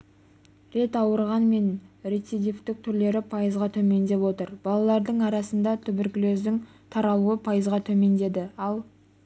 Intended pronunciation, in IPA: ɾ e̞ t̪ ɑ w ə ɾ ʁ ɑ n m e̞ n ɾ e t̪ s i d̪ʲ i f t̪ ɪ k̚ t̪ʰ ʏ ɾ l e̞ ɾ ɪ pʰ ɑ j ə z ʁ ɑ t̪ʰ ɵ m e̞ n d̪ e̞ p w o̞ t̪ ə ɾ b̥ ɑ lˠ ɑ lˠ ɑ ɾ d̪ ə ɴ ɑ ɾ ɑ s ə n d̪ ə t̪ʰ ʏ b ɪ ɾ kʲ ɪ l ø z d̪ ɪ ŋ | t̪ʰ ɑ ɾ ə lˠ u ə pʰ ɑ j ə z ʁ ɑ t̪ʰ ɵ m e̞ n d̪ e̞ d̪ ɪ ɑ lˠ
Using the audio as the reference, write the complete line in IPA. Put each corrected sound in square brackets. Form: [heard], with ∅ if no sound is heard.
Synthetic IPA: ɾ e̞ t̪ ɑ w ə ɾ ʁ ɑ n m e̞ n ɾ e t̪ s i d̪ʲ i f t̪ ɪ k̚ t̪ʰ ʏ ɾ l e̞ ɾ ɪ pʰ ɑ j ə z ʁ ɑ t̪ʰ ɵ m e̞ n d̪ e̞ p w o̞ t̪ ə ɾ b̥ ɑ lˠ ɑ lˠ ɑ ɾ d̪ ə ɴ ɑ ɾ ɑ s ə n d̪ [ɑ] t̪ʰ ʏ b ɪ ɾ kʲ ɪ l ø z d̪ ɪ ŋ | t̪ʰ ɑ ɾ [ɑ] lˠ u ə pʰ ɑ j ə z ʁ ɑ t̪ʰ ɵ m e̞ n d̪ e̞ d̪ ɪ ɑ lˠ

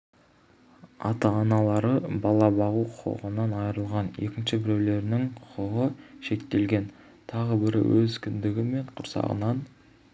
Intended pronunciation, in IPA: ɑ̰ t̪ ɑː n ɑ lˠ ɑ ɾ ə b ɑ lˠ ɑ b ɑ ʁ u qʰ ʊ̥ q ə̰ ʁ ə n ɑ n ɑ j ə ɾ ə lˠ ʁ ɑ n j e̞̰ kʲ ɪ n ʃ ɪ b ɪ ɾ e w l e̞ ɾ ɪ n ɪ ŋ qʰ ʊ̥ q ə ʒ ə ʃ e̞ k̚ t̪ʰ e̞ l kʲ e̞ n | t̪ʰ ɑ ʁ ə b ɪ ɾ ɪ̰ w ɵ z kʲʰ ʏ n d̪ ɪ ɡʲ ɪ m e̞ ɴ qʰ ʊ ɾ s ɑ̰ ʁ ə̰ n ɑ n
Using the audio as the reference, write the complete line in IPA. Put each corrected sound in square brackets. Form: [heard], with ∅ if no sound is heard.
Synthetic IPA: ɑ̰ t̪ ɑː n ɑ lˠ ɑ ɾ ə b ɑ lˠ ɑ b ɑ ʁ u qʰ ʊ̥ q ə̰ ʁ ə n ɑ n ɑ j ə ɾ ə lˠ ʁ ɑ n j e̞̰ kʲ ɪ n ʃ ɪ b ɪ ɾ e w l e̞ ɾ ɪ n ɪ ŋ qʰ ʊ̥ q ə [ʁ] ə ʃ e̞ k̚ [t̪] e̞ l [ɡʲ] e̞ n | t̪ʰ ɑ ʁ ə b ɪ ɾ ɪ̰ w ɵ z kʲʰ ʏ n d̪ ɪ ɡʲ ɪ m e̞ ɴ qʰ ʊ ɾ s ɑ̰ ʁ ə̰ n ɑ n

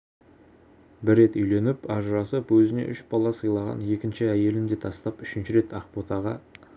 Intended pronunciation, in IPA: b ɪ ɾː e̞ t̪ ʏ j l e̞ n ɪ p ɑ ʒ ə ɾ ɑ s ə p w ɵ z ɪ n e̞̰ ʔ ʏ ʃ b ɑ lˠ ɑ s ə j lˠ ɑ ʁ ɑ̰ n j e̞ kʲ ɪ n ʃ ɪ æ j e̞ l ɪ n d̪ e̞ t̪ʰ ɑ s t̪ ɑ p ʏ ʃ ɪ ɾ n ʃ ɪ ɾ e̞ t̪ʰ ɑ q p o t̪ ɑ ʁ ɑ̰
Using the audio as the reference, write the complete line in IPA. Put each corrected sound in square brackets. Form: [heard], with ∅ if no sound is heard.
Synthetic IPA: b ɪ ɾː e̞ t̪ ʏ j l e̞ n ɪ p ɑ ʒ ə ɾ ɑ s ə p w ɵ z ɪ n e̞̰ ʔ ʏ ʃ b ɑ lˠ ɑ s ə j lˠ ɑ ʁ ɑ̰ n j e̞ kʲ ɪ n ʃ ɪ æ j e̞ l ɪ n d̪ e̞ t̪ʰ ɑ s t̪ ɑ p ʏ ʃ ɪ [∅] n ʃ ɪ ɾ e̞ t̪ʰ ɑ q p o t̪ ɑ ʁ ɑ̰

